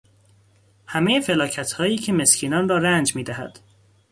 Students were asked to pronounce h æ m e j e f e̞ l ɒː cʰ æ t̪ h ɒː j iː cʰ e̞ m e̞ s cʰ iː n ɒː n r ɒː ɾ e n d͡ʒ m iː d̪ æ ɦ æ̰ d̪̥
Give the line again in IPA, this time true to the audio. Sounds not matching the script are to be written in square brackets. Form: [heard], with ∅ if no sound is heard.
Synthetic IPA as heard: h æ m e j e f e̞ l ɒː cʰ æ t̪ h ɒː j iː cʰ e̞ m e̞ s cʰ iː n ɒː n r ɒː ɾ [æ] n d͡ʒ m iː d̪ æ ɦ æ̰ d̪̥

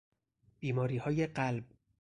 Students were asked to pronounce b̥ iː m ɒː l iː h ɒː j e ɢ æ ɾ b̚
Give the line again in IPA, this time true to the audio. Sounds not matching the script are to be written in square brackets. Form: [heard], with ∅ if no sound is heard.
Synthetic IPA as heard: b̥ iː m ɒː [ɾ] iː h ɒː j e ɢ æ [l] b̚

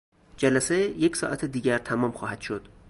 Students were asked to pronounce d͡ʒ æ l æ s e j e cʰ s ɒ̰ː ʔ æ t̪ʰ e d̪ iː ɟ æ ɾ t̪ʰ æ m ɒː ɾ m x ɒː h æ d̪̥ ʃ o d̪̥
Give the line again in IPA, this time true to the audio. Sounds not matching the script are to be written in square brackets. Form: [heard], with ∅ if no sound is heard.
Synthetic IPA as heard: d͡ʒ æ l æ s e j e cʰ s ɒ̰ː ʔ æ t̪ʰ e d̪ iː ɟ æ ɾ t̪ʰ æ m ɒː [∅] m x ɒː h æ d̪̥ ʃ o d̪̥

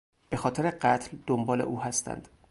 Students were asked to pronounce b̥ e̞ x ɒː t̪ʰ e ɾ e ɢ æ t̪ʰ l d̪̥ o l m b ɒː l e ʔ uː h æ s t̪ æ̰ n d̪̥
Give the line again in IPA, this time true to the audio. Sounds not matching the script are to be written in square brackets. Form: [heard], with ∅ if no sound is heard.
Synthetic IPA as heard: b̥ e̞ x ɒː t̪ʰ e ɾ e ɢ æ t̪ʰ l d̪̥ o [∅] m b ɒː l e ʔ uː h æ s t̪ æ̰ n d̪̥

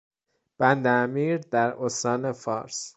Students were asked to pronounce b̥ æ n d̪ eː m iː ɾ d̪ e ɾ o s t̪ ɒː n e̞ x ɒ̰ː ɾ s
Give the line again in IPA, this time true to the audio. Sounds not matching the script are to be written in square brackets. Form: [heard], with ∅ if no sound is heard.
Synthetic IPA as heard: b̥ æ n d̪ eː m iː ɾ d̪ [æ] ɾ o s t̪ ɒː n e̞ [f] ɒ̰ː ɾ s

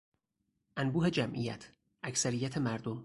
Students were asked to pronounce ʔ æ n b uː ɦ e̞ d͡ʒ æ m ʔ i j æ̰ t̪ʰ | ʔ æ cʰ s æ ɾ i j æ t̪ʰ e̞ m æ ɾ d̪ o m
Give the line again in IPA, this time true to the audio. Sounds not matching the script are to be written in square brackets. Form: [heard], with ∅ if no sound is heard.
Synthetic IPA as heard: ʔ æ n b uː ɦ e̞ d͡ʒ æ m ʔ i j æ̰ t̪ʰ | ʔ æ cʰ s æ ɾ i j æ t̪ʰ e̞ m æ ɾ d̪ o m

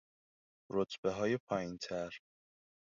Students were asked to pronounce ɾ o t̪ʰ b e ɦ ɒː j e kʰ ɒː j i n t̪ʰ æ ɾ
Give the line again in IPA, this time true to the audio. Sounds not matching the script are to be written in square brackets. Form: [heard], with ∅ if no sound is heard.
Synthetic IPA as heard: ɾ o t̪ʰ b e ɦ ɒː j e [pʰ] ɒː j i n t̪ʰ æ ɾ

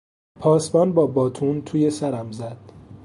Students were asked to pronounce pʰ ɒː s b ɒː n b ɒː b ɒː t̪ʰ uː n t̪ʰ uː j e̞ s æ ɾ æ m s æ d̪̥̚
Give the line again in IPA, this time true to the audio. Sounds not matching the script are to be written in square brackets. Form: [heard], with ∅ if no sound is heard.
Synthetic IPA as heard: pʰ ɒː s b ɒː n b ɒː b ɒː t̪ʰ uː n t̪ʰ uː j e̞ s æ ɾ æ m [z] æ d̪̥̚

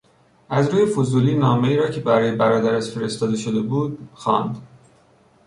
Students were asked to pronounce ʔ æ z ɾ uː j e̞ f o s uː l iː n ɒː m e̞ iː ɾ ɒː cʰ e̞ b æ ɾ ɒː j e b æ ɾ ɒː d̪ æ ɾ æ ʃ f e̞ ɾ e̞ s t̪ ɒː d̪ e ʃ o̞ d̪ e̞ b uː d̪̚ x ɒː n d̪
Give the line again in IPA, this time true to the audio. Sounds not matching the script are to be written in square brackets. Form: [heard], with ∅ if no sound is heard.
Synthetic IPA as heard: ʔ æ z ɾ uː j e̞ f o [z] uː l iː n ɒː m e̞ iː ɾ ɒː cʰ e̞ b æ ɾ ɒː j e b æ ɾ ɒː d̪ æ ɾ æ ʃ f e̞ ɾ e̞ s t̪ ɒː d̪ e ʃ o̞ d̪ e̞ b uː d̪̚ x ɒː n d̪

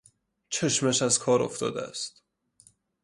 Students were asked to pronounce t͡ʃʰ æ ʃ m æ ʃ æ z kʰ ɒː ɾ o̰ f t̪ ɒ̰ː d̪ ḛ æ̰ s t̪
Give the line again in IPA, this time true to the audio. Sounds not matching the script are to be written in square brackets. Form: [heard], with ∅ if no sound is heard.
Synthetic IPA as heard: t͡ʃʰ [e] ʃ m æ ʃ æ z kʰ ɒː ɾ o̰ f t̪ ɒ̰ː d̪ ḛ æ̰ s t̪

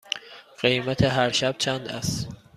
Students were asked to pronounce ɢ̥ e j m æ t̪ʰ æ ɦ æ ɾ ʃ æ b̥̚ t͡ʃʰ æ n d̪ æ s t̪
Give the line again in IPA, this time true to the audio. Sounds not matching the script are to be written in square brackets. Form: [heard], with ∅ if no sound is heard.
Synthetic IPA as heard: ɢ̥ e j m æ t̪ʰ [e] ɦ æ ɾ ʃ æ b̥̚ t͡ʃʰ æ n d̪ æ s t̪

